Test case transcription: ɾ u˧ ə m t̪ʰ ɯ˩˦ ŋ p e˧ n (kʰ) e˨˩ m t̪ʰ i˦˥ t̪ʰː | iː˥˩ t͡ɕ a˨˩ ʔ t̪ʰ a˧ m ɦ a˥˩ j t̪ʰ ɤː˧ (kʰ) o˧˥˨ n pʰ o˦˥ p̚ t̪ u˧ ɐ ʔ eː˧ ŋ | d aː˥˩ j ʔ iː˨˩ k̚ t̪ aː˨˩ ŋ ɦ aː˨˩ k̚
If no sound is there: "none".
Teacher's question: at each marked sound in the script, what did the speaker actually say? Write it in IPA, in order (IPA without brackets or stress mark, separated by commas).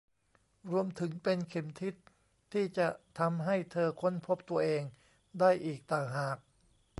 kʰ, kʰ